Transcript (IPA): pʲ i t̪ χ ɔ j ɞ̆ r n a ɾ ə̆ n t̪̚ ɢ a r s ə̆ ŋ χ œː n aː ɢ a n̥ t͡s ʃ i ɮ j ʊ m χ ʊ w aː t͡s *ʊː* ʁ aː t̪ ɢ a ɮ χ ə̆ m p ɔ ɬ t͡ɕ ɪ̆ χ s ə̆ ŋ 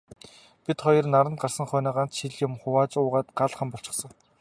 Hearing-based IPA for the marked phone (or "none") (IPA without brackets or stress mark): ʊː